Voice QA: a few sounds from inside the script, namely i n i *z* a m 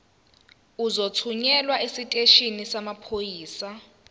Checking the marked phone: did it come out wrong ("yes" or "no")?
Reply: yes